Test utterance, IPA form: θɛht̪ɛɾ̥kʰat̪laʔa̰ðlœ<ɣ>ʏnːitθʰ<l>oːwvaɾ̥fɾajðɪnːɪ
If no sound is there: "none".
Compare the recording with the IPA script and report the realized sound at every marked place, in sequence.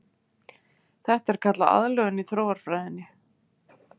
ɣ, ɾ

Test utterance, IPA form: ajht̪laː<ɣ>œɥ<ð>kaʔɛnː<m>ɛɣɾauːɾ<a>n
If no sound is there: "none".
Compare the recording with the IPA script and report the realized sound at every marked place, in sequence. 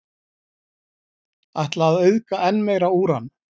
ð, ð, m, a

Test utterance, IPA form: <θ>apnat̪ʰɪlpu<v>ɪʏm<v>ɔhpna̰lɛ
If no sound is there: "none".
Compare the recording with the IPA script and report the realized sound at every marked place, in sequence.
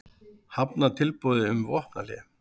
h, ð, v

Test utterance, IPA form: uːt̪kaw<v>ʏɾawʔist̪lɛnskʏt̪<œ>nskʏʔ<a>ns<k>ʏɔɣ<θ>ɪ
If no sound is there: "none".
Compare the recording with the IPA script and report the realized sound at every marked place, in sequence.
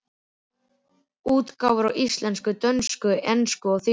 v, œ, ɛ, k, θ

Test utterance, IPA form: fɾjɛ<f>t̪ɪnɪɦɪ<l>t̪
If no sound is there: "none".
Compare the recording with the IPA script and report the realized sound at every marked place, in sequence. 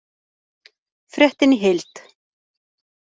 h, l

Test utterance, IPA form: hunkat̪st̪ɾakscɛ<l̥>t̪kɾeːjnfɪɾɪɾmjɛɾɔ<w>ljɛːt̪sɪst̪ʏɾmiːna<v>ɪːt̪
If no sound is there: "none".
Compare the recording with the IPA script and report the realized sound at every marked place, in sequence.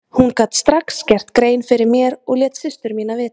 r̥, ɣ, v

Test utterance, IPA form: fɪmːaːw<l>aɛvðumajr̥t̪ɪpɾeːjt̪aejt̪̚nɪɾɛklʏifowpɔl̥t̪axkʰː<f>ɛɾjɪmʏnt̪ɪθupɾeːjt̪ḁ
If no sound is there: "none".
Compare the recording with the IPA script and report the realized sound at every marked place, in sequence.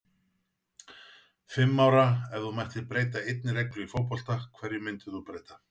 ɾ, v

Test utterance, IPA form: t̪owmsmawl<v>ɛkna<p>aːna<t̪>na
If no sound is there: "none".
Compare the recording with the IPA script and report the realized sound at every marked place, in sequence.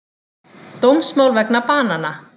v, p, none

